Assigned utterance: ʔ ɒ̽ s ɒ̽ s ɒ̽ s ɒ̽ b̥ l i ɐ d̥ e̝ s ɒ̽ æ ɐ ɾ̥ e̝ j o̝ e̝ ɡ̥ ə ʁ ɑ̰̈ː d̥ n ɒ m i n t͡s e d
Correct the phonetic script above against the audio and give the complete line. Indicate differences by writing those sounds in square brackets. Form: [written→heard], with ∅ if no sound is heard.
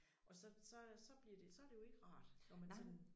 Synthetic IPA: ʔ ɒ̽ s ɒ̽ s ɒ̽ s ɒ̽ b̥ l i ɐ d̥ e̝ s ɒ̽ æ ɐ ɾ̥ e̝ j o̝ e̝ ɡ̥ ə ʁ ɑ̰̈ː d̥ n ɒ m [i→æ] n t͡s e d